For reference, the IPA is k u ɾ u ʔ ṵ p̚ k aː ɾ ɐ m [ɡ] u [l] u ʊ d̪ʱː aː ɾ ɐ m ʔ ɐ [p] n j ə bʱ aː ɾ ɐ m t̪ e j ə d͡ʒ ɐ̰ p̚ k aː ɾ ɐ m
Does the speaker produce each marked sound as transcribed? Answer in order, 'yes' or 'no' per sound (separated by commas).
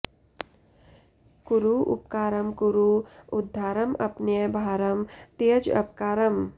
no, no, yes